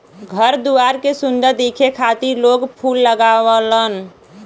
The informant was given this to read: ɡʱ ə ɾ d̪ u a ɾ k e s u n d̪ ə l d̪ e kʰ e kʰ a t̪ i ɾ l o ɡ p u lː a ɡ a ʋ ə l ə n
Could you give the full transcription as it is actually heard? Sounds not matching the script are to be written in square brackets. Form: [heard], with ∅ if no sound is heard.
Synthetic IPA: ɡʱ ə ɾ d̪ u a ɾ k e s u n d̪ ə [ɾ] d̪ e kʰ e kʰ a t̪ i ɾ l o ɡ [pʰ] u lː [ə] ɡ a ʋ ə l ə n